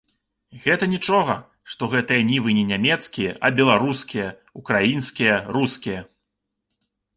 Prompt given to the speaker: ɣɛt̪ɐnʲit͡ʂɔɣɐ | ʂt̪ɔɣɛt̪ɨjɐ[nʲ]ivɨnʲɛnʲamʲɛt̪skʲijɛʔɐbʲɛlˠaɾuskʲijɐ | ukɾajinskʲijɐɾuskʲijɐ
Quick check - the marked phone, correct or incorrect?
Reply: correct